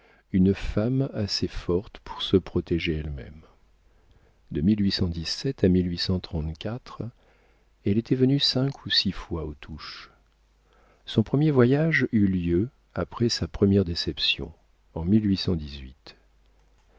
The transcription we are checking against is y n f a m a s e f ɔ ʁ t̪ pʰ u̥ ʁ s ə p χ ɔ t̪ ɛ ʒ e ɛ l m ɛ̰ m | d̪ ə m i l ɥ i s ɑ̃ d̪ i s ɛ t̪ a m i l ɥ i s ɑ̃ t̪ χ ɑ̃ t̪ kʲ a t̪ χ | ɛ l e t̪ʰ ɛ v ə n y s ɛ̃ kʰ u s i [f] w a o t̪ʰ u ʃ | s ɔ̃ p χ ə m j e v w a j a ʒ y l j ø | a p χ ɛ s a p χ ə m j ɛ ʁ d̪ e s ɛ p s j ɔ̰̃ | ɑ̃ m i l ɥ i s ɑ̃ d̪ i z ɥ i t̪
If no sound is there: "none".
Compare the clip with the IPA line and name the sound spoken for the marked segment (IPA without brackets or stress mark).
f